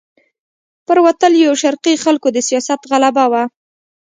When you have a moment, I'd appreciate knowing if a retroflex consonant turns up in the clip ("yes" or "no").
no